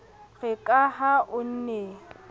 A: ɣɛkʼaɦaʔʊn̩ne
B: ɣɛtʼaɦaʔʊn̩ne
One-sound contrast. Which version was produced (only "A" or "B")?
A